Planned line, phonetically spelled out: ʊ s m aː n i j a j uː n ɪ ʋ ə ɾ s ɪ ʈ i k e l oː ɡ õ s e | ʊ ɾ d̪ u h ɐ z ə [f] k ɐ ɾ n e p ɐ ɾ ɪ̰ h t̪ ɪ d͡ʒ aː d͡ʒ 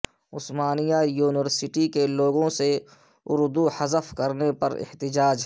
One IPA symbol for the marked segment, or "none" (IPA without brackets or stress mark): f